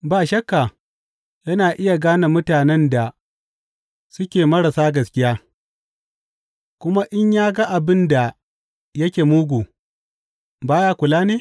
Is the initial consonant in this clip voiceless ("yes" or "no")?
no